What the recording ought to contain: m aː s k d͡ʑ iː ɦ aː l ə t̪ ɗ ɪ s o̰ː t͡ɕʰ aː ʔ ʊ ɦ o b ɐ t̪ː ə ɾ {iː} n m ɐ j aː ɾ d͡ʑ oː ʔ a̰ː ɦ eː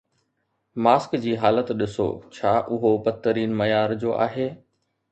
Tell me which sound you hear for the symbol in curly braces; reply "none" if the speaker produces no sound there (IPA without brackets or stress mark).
iː